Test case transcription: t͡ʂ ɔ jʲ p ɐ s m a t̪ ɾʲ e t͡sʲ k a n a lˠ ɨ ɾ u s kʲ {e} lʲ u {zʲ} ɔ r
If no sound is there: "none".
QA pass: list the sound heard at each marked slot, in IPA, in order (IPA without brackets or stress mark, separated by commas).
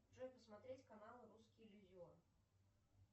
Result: i, zʲ